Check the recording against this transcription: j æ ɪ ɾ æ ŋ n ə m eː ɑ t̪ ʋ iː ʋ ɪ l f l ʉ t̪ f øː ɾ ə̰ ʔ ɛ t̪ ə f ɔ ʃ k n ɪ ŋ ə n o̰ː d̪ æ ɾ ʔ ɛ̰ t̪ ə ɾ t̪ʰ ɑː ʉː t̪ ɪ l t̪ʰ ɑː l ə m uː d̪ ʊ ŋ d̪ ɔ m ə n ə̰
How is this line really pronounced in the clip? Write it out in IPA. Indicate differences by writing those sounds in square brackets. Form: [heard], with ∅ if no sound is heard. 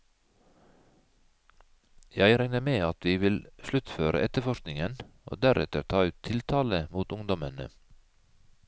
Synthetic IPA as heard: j æ ɪ ɾ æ ŋ n ə m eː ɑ t̪ ʋ iː ʋ ɪ l [ʃ] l ʉ t̪ f øː ɾ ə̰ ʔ ɛ t̪ ə f ɔ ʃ k n ɪ ŋ ə n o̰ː d̪ æ ɾ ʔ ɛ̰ t̪ ə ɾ t̪ʰ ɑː ʉː [t̪ʰ] ɪ l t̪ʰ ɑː l ə m uː [t̪] ʊ ŋ d̪ ɔ m ə n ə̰

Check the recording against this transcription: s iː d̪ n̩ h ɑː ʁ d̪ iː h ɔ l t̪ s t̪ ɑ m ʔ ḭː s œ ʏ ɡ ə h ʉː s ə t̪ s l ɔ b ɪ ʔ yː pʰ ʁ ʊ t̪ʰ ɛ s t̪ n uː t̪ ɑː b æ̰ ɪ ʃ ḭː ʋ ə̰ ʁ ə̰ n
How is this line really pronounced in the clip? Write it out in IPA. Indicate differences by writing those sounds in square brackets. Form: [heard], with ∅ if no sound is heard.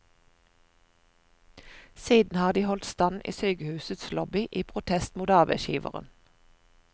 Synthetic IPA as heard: s iː d̪ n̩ h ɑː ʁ d̪ iː h ɔ l t̪ s t̪ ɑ [n] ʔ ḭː s œ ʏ ɡ ə h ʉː s ə t̪ s l ɔ b ɪ ʔ [iː] pʰ ʁ ʊ t̪ʰ ɛ s t̪ [m] uː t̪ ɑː b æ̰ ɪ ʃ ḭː ʋ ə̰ ʁ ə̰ n

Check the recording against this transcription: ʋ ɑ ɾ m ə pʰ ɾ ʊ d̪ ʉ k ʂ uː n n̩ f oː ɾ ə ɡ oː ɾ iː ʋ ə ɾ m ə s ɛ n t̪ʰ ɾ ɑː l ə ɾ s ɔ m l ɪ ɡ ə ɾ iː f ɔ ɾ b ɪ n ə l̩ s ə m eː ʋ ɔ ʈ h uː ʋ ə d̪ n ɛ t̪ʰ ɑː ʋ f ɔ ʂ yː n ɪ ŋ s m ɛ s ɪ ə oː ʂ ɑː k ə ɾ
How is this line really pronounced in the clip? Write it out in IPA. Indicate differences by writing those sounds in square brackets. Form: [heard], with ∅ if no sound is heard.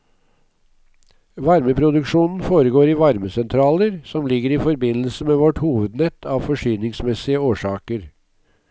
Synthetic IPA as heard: ʋ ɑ ɾ m ə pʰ ɾ ʊ d̪ ʉ k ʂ uː n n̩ f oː ɾ ə ɡ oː ɾ iː ʋ [ɑ] ɾ m ə s ɛ n t̪ʰ ɾ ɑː l ə ɾ s ɔ m l ɪ ɡ ə ɾ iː f ɔ ɾ b ɪ n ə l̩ s ə m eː ʋ ɔ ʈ h uː ʋ ə d̪ n ɛ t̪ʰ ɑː ʋ f ɔ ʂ yː n ɪ ŋ s m ɛ s ɪ ə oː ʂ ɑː k ə ɾ

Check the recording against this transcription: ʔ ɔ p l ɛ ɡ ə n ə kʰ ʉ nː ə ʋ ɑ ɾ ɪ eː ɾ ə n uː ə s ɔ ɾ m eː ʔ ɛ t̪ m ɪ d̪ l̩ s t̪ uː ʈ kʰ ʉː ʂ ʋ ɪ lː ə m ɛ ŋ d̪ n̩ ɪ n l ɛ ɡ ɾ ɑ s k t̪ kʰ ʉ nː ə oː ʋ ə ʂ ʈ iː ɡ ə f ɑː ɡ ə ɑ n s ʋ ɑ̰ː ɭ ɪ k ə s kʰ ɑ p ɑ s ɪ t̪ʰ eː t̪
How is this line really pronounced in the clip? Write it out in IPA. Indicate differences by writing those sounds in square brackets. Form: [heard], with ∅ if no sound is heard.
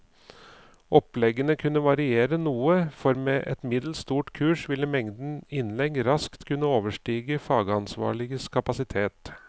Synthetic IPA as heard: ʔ ɔ p l ɛ ɡ ə n ə kʰ ʉ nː ə ʋ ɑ ɾ ɪ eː ɾ ə n uː ə [f] ɔ ɾ m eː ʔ ɛ t̪ m ɪ d̪ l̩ s t̪ uː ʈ kʰ ʉː ʂ ʋ ɪ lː ə m ɛ ŋ d̪ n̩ ɪ n l ɛ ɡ ɾ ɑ s k t̪ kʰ ʉ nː ə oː ʋ ə ʂ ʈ iː ɡ ə f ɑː ɡ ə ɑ n s ʋ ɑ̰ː ɭ ɪ [ɡ] ə s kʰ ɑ p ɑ s ɪ t̪ʰ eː t̪

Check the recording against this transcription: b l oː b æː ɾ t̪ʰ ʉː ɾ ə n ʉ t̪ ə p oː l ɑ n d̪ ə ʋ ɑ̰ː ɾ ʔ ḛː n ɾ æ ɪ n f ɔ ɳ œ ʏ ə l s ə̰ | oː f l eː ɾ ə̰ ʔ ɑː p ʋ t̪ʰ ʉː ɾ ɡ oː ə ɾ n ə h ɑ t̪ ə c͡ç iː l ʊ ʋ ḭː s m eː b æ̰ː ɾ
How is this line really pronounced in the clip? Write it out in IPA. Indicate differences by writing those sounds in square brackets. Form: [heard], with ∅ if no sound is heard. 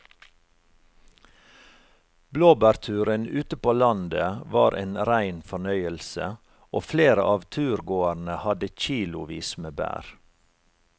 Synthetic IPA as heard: b l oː b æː ɾ t̪ʰ ʉː ɾ ə n [ʉː] t̪ ə p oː l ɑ n d̪ ə ʋ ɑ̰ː ɾ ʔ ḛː n ɾ æ ɪ n f ɔ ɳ œ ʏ ə l s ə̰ | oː f l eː ɾ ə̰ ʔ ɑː [∅] ʋ t̪ʰ ʉː ɾ ɡ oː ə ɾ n ə h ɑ [d̪] ə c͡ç iː l ʊ ʋ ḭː s m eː b æ̰ː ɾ

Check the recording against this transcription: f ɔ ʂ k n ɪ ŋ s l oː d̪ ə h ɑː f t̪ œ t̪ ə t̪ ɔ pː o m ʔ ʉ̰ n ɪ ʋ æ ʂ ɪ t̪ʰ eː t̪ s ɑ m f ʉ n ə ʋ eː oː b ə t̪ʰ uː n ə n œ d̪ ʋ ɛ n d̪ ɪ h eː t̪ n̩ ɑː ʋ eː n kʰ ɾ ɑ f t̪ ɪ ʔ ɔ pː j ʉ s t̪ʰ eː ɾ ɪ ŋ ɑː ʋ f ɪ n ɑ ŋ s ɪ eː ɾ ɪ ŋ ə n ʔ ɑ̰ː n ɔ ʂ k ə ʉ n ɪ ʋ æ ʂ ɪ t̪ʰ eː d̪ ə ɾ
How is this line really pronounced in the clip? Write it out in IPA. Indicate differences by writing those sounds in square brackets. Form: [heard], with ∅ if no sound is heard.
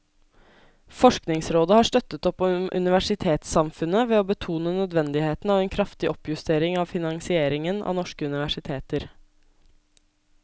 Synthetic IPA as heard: f ɔ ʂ k n ɪ ŋ s [ɾ] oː d̪ ə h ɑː [ʂ] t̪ œ t̪ ə t̪ ɔ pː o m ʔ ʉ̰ n ɪ ʋ æ ʂ ɪ t̪ʰ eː t̪ s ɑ m f ʉ n ə ʋ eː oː b ə t̪ʰ uː n ə n œ d̪ ʋ ɛ n d̪ ɪ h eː t̪ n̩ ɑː ʋ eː n kʰ ɾ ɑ f t̪ ɪ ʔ ɔ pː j ʉ s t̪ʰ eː ɾ ɪ ŋ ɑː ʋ f ɪ n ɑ ŋ s ɪ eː ɾ ɪ ŋ ə n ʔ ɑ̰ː n ɔ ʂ k ə ʉ n ɪ ʋ æ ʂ ɪ t̪ʰ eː [t̪] ə ɾ

